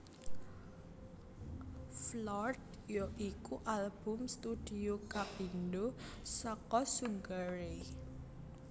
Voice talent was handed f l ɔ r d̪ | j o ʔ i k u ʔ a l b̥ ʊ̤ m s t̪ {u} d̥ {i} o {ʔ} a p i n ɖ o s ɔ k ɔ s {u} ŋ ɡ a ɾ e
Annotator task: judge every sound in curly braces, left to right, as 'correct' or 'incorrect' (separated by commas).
correct, correct, incorrect, correct